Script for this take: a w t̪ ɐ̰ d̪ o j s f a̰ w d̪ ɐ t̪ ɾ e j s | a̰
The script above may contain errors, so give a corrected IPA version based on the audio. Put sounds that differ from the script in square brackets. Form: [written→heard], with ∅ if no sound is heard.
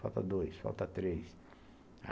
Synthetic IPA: a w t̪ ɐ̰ d̪ o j s f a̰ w [d̪→t̪] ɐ t̪ ɾ e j s | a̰